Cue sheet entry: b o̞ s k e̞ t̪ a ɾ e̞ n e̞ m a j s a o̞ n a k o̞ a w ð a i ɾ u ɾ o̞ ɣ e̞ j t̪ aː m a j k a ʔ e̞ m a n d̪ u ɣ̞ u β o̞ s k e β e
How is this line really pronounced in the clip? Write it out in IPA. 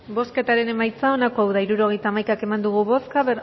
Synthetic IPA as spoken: b o̞ s k e̞ t̪ a ɾ e̞ n e̞ m a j t͡s a o̞ n a k o̞ a w ð a i ɾ u ɾ o̞ ɣ e̞ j t̪ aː m a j k a k e̞ m a n d̪ u ɣ̞ u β o̞ s k a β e